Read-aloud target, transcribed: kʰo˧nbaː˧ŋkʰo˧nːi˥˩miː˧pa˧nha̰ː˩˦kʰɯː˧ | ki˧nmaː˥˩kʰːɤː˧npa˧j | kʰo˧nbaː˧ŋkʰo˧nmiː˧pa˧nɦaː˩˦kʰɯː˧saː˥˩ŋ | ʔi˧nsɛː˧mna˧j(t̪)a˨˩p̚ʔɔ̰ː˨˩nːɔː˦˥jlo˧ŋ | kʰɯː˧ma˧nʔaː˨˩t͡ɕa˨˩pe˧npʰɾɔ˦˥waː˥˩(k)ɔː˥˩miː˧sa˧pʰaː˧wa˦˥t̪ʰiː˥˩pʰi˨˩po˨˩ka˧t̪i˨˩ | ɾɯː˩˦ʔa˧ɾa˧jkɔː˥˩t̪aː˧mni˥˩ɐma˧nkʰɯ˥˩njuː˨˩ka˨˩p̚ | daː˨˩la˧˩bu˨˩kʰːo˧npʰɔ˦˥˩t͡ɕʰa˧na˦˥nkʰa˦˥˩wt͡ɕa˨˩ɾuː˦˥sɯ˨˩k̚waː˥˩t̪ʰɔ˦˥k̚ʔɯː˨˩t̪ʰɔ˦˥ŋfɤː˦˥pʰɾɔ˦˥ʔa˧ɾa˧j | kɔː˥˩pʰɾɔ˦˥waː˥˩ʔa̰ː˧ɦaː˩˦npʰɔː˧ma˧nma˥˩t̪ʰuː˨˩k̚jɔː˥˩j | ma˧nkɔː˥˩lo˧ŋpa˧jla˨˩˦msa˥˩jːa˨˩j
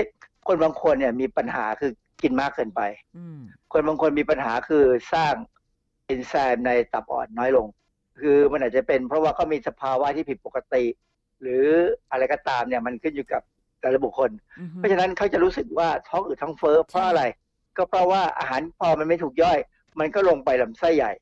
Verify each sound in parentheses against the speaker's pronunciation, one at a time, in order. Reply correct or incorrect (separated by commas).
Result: correct, correct